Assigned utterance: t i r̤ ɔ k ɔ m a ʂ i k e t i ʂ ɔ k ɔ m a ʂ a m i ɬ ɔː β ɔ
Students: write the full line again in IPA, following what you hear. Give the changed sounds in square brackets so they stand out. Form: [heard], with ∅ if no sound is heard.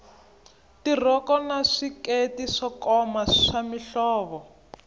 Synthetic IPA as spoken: t i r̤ ɔ k ɔ [n] a ʂ i k e t i ʂ ɔ k ɔ m a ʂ a m i ɬ ɔː β ɔ

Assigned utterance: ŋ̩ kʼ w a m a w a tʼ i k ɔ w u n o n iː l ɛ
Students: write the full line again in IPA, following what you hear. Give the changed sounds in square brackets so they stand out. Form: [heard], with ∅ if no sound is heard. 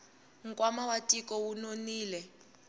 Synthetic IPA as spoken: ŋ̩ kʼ w a m a w a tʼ i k ɔ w u n o n iː l ɛ

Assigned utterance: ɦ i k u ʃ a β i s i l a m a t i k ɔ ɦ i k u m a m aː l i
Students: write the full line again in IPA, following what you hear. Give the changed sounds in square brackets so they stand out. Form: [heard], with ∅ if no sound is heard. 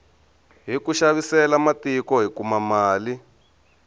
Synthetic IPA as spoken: ɦ i k u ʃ a β i s [ɛ] l a m a t i k ɔ ɦ i k u m a m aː l i

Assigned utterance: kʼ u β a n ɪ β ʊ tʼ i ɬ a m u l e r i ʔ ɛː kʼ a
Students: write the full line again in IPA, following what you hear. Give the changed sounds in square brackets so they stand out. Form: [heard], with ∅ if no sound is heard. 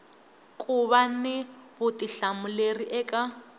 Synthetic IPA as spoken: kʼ u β a n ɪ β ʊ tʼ i ɬ a m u l e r i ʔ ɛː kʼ a

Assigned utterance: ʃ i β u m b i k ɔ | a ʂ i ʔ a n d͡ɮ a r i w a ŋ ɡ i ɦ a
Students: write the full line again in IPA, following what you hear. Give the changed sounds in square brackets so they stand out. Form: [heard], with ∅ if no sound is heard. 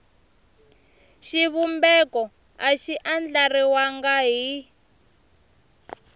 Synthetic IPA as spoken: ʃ i β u m b [ɛ] k ɔ | a [ʃ] i ʔ a n d͡ɮ a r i w a ŋ ɡ [a] ɦ [i]

